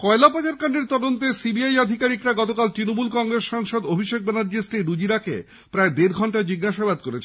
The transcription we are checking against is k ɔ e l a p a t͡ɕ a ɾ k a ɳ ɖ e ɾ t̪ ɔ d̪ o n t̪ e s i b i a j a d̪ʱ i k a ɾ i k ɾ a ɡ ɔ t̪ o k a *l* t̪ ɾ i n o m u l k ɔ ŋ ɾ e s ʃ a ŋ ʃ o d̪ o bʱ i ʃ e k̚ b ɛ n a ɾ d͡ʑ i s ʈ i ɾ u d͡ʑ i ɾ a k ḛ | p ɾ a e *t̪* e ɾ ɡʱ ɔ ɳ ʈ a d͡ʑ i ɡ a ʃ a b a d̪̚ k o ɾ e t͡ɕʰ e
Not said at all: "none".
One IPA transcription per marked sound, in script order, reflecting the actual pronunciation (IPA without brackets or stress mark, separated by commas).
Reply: l, d̪